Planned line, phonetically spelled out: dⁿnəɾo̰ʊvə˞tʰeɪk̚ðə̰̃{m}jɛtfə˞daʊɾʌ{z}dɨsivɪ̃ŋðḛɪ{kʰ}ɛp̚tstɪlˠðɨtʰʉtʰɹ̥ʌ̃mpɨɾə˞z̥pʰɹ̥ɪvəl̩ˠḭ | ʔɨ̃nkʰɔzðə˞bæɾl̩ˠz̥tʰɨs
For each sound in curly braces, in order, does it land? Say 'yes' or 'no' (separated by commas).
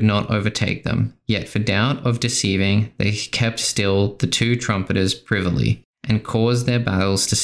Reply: yes, no, yes